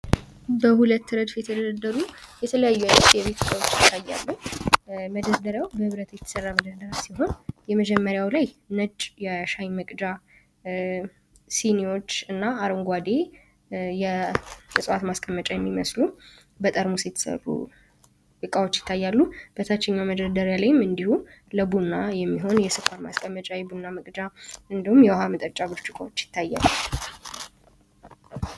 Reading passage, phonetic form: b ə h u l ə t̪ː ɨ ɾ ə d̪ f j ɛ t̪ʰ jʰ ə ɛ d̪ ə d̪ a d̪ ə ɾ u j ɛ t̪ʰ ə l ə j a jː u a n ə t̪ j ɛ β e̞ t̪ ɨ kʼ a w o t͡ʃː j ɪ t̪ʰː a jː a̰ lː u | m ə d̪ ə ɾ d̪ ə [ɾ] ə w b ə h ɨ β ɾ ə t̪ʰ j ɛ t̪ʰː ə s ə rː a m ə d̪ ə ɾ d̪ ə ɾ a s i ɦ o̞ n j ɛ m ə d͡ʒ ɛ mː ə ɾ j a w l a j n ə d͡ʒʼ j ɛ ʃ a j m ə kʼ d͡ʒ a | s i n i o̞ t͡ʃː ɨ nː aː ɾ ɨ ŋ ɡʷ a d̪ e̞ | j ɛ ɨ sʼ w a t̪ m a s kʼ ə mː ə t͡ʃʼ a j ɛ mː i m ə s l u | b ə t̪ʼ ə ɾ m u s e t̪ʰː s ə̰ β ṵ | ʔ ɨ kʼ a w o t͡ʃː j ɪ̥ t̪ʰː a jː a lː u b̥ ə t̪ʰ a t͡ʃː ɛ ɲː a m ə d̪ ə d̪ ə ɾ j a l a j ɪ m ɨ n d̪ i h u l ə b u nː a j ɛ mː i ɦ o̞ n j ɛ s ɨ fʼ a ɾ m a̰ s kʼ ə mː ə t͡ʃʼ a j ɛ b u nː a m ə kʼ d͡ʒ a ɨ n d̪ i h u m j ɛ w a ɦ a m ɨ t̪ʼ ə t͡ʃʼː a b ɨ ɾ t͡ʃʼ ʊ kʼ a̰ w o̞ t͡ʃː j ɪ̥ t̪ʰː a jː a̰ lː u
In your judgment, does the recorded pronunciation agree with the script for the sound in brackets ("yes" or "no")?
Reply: yes